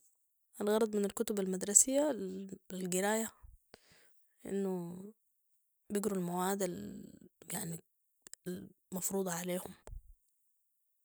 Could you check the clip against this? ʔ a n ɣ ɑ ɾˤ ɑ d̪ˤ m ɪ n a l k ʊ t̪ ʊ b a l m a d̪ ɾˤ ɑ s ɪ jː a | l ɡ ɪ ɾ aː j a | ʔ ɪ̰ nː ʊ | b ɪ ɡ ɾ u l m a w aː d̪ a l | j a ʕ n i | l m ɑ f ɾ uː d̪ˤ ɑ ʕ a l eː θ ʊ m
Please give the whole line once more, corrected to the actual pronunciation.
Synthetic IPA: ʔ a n ɣ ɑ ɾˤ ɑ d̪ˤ m ɪ n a l k ʊ t̪ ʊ b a l m a d̪ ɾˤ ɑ s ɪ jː a | l ɡ ɪ ɾ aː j a | ʔ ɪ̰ nː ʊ | b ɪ ɡ ɾ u l m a w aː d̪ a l | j a ʕ n i | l m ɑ f ɾ uː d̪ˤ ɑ ʕ a l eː h ʊ m